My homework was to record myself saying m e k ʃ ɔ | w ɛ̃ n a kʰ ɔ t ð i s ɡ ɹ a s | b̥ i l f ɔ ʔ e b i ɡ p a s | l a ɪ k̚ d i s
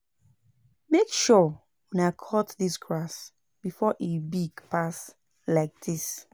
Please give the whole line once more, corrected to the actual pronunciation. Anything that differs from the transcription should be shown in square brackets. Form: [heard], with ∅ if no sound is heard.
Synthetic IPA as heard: m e k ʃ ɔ | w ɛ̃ n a kʰ ɔ t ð i s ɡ ɹ a s | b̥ i [∅] f ɔ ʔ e b i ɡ p a s | l a ɪ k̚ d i s